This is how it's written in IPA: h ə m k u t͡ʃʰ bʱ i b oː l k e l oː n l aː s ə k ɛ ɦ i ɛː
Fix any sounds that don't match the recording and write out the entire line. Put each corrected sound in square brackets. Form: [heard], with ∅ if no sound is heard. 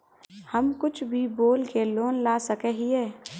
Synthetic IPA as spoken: h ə m k [ʊ] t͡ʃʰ bʱ i b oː l k e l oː n l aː s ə k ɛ ɦ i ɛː